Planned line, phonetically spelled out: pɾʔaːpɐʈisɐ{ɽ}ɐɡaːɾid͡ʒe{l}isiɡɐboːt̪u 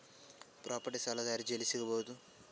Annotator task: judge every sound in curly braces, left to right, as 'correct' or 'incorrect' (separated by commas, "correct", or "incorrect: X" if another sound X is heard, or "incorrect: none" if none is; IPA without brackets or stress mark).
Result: incorrect: l, correct